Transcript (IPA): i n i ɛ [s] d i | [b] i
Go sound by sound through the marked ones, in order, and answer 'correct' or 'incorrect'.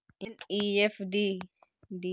incorrect, incorrect

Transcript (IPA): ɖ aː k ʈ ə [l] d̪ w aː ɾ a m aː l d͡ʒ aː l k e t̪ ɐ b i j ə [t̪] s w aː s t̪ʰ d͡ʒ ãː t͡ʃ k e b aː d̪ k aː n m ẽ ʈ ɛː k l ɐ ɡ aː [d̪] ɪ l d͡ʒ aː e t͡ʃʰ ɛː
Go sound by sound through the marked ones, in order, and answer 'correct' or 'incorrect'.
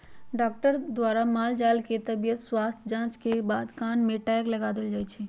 incorrect, correct, correct

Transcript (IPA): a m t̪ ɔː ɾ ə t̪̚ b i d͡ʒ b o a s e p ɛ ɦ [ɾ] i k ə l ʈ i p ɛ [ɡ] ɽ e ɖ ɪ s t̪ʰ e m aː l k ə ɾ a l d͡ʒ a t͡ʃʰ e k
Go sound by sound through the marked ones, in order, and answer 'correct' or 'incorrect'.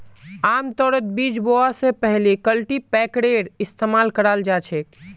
incorrect, incorrect

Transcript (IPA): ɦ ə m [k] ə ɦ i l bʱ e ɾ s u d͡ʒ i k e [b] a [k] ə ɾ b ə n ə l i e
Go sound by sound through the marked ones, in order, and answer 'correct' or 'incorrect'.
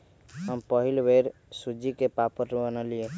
incorrect, incorrect, incorrect

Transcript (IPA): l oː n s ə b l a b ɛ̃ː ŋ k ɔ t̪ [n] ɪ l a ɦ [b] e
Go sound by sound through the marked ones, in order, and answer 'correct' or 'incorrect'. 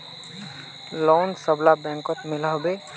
incorrect, correct

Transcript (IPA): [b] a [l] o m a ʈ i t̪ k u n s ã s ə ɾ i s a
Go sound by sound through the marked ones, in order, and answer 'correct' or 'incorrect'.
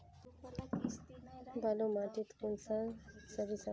correct, correct

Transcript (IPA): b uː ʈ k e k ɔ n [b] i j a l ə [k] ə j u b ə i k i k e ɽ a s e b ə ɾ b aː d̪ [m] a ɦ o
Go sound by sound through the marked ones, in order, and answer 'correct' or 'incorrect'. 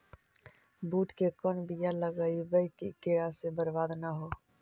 correct, incorrect, incorrect

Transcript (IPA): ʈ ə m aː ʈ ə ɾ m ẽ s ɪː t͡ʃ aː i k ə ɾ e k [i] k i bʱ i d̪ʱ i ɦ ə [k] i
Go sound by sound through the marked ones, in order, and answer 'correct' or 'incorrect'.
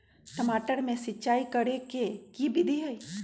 incorrect, incorrect

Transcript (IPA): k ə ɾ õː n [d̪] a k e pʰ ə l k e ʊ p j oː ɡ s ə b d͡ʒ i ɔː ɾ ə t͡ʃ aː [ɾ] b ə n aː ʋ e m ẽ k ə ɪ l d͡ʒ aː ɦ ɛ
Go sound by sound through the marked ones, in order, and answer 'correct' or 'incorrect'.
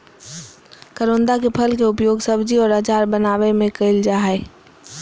correct, correct

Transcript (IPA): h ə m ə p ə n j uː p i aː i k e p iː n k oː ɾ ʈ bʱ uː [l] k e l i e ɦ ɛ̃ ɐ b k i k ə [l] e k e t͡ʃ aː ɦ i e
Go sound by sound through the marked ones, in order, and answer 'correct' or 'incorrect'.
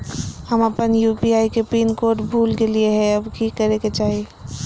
correct, incorrect

